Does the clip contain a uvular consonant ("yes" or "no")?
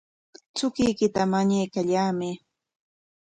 no